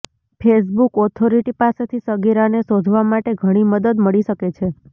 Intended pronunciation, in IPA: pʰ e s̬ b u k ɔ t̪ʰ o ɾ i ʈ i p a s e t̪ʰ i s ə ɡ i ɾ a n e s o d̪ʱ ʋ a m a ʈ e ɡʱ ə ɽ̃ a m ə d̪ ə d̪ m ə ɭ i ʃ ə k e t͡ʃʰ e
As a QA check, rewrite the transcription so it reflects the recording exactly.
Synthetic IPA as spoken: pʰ e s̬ b u k ɔ t̪ʰ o ɾ i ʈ i p a s e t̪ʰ i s ə ɡ i ɾ a n e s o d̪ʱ ʋ a m a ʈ e ɡʱ ə ɽ̃ i m ə d̪ ə d̪ m ə ɭ i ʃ ə k e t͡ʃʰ e

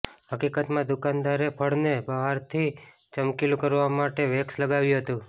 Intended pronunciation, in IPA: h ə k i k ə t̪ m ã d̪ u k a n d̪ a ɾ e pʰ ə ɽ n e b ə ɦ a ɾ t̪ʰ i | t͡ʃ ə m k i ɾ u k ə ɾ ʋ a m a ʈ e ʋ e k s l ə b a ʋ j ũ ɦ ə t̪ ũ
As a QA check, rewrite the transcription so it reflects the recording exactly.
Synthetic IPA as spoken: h ə k i k ə t̪ m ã d̪ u k a n d̪ a ɾ e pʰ ə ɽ n e b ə ɦ a ɾ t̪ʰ i | t͡ʃ ə m k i l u k ə ɾ ʋ a m a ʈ e ʋ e k s l ə ɡ a ʋ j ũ ɦ ə t̪ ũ

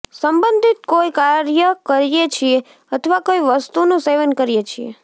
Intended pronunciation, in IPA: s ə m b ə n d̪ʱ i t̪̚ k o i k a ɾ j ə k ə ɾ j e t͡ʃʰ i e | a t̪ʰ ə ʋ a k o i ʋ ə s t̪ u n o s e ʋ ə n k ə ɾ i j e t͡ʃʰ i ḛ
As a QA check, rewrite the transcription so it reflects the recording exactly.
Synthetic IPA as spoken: s ə m b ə n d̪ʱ i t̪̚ k o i k a ɾ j ə k ə ɾ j e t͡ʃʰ i e | ə t̪ʰ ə ʋ a k o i ʋ ə s t̪ u n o s e ʋ ə n k ə ɾ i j e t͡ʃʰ i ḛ

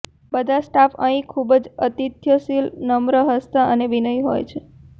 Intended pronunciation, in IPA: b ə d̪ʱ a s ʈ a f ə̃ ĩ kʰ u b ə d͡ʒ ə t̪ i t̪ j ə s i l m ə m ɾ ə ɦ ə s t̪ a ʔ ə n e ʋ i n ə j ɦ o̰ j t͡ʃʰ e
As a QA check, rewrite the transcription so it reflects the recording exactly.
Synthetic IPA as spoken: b ə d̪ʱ a s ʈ a f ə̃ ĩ kʰ u b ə d͡ʒ ə t̪ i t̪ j ə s i l n ə m ɾ ə ɦ ə s t̪ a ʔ ə n e ʋ i n ə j ɦ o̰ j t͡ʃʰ e

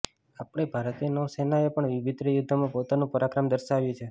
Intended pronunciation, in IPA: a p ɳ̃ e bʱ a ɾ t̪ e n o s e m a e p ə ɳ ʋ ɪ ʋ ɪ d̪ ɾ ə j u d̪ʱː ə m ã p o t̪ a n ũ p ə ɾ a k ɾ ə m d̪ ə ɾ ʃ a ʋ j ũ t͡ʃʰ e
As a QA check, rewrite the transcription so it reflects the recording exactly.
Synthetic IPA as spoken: a p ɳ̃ e bʱ a ɾ t̪ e n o s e n a e p ə ɳ ʋ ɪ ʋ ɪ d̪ ɾ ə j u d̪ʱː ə m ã p o t̪ a n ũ p ə ɾ a k ɾ ə m d̪ ə ɾ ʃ a ʋ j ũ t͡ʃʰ e

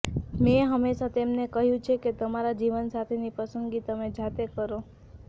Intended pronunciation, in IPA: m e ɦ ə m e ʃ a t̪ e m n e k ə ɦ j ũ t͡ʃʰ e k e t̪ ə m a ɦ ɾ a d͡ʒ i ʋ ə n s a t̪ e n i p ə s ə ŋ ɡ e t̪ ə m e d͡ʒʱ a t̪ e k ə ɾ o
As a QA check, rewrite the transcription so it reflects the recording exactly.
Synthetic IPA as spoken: m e ɦ ə m e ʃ a t̪ e m n e k ə ɦ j ũ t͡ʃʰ e k e t̪ ə m a ɾ a d͡ʒ i ʋ ə n s a t̪ʰ e n i p ə s ə ŋ ɡ i t̪ ə m e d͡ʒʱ a t̪ e k ə ɾ o

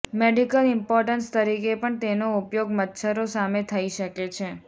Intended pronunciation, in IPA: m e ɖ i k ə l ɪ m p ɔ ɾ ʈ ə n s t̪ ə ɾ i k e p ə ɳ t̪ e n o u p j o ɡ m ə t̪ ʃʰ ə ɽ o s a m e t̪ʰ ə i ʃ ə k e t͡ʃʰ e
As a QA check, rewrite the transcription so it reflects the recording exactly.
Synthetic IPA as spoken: m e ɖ i k ə l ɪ m p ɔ ɾ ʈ ə n s t̪ ə ɾ i k e p ə ɳ t̪ e n o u p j o ɡ m ə t̪ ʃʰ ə ɾ o s a m e t̪ʰ ə i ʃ ə k e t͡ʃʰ e

